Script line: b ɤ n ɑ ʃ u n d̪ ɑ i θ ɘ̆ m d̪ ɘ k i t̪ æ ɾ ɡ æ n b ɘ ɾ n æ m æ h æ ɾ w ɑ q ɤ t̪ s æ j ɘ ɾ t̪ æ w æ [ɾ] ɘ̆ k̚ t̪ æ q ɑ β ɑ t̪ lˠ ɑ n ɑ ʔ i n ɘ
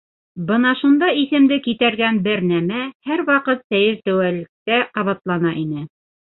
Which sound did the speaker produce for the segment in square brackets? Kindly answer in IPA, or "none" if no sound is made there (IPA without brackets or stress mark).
l